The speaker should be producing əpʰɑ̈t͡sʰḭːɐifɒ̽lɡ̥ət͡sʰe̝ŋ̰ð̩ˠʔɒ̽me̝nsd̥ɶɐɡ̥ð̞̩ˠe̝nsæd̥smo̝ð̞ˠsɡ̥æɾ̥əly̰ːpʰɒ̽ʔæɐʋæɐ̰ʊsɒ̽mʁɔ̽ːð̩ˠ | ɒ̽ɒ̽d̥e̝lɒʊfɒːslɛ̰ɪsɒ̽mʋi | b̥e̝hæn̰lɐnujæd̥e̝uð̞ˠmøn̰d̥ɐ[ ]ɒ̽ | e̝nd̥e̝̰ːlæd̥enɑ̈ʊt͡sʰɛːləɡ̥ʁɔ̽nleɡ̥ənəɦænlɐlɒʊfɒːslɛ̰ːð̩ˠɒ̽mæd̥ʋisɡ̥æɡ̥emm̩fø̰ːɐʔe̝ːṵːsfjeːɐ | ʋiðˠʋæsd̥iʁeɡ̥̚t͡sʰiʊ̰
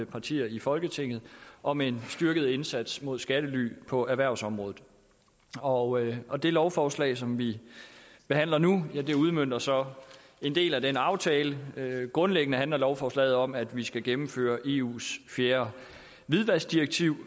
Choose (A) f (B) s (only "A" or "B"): B